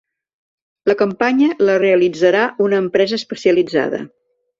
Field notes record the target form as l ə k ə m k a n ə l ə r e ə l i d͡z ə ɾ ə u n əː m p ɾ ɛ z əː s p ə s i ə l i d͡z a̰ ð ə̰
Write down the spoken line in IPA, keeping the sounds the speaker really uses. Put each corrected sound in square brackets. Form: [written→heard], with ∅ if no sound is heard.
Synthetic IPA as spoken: l ə k ə m [k→p] a [n→ɲ] ə l ə r e ə l i d͡z ə ɾ [ə→a] u n əː m p ɾ ɛ z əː s p ə s i ə l i d͡z a̰ ð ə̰